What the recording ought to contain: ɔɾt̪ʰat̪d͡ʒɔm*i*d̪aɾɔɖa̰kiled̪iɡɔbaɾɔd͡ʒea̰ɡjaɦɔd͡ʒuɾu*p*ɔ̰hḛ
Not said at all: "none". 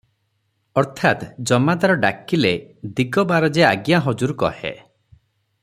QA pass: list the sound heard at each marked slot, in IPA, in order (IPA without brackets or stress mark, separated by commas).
a, k